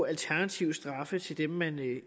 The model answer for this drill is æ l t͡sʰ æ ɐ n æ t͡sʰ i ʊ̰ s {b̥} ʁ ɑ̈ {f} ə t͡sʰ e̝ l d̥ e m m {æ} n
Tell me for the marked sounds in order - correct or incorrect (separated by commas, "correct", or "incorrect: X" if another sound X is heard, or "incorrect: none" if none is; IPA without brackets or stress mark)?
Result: incorrect: d̥, correct, correct